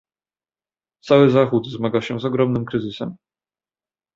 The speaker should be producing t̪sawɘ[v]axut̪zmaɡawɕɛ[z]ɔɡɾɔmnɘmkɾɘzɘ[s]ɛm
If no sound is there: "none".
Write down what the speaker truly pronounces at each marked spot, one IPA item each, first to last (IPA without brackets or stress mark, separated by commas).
z, z, s